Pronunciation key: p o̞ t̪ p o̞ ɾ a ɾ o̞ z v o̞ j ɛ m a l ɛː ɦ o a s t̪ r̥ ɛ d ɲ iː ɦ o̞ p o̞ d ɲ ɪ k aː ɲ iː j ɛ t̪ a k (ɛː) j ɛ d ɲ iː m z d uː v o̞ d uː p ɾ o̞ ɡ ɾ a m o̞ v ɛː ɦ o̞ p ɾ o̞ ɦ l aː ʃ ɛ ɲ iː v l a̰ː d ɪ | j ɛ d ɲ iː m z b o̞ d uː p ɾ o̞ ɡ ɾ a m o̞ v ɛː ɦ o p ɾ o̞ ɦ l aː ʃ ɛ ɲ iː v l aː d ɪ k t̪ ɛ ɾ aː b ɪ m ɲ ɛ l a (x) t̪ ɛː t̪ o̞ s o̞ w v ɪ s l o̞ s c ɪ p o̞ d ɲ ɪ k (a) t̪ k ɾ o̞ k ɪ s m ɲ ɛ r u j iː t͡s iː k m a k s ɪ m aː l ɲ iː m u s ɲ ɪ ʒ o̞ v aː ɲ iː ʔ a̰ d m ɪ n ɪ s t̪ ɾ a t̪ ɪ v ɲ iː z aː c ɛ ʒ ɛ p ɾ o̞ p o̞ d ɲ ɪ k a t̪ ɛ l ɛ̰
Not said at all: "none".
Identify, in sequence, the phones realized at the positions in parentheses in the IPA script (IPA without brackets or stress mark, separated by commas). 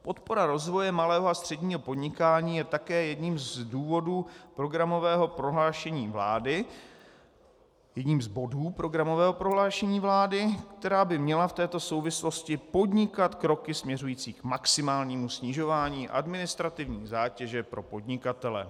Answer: ɛː, f, a